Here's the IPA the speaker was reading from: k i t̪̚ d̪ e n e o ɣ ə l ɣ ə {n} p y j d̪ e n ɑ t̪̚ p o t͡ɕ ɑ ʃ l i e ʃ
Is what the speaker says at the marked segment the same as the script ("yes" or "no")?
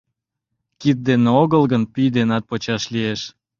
yes